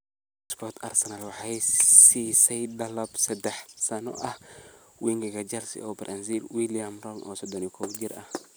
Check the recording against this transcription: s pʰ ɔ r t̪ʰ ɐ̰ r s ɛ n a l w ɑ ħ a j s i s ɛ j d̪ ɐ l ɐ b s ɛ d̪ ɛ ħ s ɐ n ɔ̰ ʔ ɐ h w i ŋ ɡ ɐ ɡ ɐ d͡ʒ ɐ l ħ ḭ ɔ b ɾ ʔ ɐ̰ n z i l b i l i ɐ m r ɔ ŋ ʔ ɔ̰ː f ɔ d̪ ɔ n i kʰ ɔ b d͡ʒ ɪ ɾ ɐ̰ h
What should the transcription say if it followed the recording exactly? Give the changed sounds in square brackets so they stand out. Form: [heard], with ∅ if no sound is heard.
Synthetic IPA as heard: s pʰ ɔ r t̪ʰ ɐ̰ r s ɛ n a l w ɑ ħ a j s i s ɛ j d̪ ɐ l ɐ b s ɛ d̪ ɛ ħ s ɐ n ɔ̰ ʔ ɐ h w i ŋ ɡ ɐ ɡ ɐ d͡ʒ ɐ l [s] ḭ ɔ b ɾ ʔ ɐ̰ n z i l [w] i l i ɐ m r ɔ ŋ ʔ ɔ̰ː [s] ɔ d̪ ɔ n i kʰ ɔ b d͡ʒ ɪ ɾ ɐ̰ h